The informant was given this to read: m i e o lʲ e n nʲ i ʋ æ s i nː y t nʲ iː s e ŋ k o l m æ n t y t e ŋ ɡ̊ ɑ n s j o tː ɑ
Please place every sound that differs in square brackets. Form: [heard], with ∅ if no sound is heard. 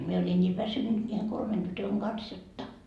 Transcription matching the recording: m i e o lʲ [i] n nʲ [iː] ʋ æ s [y] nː y t nʲ iː [h] e ŋ k o l m [e] n t y t [ø] ŋ ɡ̊ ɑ n s j o tː ɑ